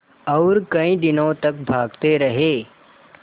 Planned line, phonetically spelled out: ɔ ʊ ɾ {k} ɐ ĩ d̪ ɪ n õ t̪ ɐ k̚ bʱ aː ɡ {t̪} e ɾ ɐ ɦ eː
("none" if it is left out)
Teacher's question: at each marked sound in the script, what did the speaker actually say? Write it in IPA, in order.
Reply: k, t̪

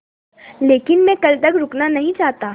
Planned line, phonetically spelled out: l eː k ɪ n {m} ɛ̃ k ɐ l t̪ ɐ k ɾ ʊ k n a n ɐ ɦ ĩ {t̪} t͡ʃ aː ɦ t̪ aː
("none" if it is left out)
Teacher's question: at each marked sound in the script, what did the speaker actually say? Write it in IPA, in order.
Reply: m, none

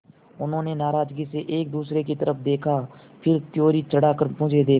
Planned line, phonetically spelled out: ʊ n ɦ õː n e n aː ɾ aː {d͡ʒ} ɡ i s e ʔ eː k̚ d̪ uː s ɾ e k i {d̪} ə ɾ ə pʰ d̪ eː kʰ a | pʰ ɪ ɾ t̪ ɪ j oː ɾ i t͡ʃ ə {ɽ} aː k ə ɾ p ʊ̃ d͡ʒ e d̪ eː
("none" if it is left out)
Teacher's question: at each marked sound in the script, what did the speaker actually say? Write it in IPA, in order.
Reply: d͡ʒ, t̪, ɽ

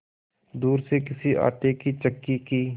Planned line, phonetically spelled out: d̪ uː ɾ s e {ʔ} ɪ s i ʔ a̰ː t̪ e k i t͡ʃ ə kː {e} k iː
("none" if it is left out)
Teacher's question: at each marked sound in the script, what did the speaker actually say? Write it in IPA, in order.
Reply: k, i

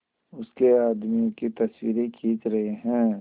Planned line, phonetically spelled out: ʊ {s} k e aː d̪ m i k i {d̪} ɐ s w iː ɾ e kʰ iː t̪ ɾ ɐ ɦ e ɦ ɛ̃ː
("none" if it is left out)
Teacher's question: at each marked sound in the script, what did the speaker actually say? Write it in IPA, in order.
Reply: s, t̪

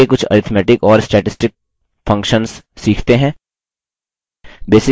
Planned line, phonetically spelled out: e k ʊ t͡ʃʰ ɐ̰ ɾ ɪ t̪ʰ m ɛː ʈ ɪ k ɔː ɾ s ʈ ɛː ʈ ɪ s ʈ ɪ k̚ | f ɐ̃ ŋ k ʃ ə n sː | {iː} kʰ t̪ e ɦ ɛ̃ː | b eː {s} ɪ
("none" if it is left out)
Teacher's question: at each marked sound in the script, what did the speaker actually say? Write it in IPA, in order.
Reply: iː, s

